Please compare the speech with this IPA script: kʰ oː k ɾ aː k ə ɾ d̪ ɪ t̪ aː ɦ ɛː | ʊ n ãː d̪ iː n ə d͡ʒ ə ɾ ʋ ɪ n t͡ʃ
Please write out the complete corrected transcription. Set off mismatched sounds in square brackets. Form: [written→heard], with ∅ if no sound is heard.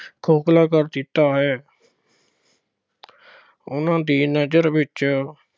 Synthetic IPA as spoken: kʰ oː k [ɾ→l] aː k ə ɾ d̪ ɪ t̪ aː ɦ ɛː | ʊ n ãː d̪ iː n ə d͡ʒ ə ɾ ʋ ɪ [n→∅] t͡ʃ